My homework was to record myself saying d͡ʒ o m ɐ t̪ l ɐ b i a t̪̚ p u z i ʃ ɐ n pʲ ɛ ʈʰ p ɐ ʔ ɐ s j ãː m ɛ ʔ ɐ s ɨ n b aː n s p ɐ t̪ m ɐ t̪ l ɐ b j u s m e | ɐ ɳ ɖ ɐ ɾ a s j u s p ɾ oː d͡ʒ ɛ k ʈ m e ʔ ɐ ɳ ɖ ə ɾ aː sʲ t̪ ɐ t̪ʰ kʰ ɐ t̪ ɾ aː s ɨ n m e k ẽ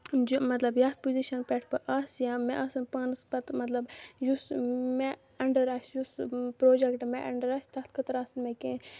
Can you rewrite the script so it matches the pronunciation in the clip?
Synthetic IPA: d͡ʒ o m ɐ t̪ l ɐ b j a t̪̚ p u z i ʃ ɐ n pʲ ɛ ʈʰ p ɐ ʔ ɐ s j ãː m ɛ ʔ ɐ s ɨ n p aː n s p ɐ t̪ m ɐ t̪ l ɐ b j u s m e | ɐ ɳ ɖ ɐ ɾ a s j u s p ɾ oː d͡ʒ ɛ k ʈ m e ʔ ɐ ɳ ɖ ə ɾ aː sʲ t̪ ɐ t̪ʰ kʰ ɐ t̪ ɾ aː s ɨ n m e k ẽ